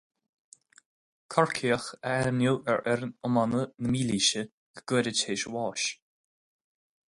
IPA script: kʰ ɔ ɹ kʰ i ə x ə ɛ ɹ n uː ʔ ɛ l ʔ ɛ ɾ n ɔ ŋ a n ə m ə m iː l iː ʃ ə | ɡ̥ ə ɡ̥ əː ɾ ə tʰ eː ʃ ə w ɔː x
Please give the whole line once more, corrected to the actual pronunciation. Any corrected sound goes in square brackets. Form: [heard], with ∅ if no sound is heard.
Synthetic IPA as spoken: kʰ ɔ ɹ kʰ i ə x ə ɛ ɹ n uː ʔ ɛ [ɹ] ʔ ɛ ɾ n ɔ [m] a n ə [n] ə m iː l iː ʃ ə | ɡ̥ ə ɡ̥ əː ɾ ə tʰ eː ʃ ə w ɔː [ʃ]